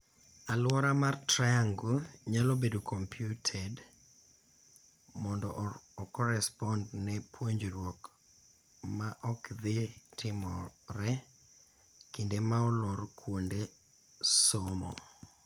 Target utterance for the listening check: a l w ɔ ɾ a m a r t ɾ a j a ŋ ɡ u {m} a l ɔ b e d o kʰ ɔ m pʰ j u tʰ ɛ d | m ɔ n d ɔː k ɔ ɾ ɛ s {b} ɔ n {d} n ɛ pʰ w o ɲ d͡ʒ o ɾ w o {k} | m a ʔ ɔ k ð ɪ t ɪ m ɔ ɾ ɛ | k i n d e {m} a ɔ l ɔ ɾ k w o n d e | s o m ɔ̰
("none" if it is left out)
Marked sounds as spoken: ɲ, p, d, k, m

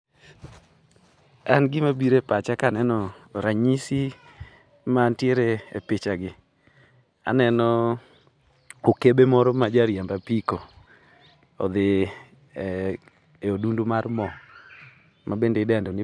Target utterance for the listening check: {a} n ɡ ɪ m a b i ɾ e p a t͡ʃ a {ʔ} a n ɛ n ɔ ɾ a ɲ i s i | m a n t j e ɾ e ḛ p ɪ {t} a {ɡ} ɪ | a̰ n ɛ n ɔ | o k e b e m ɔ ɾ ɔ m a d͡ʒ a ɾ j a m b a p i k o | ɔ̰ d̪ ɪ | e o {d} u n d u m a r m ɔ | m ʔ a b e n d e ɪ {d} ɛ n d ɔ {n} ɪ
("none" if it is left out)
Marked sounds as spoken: a, k, t͡ʃ, ɡ, d, d, n

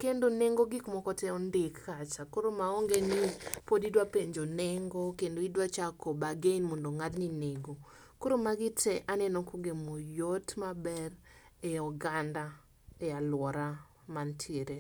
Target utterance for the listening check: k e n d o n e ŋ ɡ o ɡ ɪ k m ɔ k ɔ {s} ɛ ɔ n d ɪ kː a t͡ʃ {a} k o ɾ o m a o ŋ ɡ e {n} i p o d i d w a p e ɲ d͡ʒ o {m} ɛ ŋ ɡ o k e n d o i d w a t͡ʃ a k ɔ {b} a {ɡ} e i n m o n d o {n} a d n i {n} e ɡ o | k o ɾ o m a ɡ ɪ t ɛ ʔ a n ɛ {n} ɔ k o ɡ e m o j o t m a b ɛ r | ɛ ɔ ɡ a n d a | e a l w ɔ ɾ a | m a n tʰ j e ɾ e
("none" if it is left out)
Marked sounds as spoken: t, a, n, n, b, ɡ, ŋ, n, n

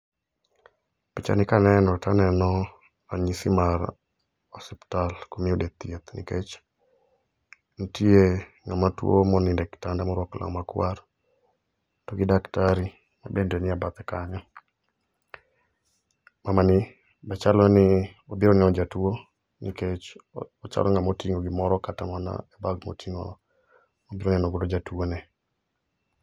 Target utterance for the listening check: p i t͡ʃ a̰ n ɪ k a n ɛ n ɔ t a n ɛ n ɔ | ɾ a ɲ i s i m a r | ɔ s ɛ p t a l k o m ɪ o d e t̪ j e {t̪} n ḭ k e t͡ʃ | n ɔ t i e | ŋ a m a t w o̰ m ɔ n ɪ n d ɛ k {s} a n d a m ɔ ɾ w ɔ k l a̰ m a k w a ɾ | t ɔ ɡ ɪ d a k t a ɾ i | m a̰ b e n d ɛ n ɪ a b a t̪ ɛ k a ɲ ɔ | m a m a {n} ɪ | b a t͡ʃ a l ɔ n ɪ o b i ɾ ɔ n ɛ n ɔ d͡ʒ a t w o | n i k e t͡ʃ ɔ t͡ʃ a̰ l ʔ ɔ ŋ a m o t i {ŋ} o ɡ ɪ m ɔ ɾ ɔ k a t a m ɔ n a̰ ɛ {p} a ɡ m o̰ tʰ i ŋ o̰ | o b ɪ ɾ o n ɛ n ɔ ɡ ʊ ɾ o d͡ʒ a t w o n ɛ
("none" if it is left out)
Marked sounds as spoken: t̪, t, n, ŋ, b

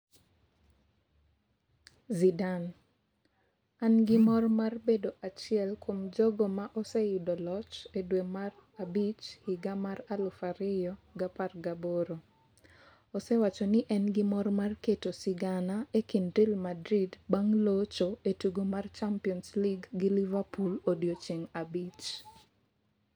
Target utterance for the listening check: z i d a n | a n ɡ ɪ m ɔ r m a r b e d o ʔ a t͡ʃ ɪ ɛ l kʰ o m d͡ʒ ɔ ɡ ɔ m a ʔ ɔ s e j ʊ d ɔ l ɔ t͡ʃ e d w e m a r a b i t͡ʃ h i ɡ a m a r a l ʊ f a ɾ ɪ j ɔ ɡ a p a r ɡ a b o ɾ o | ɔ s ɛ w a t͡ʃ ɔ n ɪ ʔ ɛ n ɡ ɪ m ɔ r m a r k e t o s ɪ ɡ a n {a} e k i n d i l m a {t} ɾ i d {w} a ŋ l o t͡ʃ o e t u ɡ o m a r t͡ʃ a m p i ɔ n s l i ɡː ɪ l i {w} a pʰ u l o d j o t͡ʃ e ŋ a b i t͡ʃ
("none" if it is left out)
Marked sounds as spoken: a, d, b, v

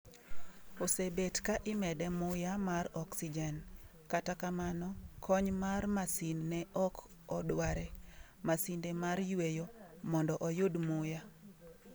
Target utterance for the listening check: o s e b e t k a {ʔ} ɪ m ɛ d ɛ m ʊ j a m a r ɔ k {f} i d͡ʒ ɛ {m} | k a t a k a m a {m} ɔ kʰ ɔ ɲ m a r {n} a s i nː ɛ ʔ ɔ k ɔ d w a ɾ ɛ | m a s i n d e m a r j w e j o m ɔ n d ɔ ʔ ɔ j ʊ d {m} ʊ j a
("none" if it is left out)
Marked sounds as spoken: ʔ, s, n, n, m, m

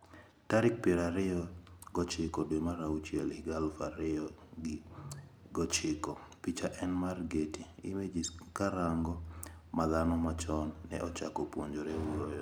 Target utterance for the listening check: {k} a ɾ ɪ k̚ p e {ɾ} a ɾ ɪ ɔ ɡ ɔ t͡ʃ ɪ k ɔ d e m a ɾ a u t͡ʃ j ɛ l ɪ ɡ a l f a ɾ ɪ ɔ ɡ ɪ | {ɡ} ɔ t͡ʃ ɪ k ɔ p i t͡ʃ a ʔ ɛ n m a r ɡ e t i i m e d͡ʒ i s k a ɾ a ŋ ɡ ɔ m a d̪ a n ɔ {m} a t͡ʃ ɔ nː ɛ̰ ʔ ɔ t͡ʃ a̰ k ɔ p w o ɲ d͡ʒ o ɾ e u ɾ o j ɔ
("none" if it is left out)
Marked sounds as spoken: t, ɾ, ɡ, m

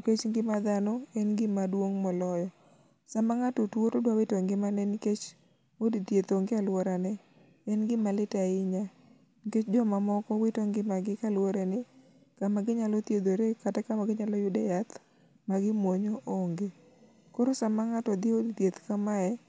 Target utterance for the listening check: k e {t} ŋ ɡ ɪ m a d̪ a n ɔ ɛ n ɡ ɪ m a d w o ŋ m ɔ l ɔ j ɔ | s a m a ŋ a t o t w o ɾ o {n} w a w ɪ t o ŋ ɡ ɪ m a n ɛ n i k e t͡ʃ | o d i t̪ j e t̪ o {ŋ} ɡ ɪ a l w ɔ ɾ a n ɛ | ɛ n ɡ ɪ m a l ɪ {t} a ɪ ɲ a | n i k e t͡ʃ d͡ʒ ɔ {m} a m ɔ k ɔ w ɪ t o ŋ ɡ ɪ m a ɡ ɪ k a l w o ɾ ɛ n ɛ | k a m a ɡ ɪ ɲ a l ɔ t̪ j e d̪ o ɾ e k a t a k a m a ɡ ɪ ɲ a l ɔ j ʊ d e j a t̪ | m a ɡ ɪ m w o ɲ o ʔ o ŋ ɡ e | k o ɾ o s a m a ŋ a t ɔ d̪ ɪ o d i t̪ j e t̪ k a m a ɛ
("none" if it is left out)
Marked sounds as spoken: t͡ʃ, d, ŋ, t, m

